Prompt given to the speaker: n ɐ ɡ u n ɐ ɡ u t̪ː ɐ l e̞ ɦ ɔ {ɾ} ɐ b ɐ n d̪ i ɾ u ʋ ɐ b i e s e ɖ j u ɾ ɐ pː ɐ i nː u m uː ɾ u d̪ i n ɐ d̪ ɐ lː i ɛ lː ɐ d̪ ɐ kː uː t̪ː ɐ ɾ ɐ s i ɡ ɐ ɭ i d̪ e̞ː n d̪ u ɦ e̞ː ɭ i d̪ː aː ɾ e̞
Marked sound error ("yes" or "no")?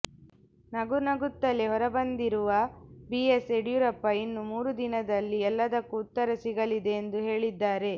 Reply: no